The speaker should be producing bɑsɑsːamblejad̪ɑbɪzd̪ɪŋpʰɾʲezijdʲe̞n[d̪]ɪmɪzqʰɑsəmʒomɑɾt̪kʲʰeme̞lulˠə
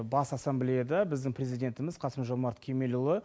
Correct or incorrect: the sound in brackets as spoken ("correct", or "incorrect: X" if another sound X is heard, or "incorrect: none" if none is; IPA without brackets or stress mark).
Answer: incorrect: t̪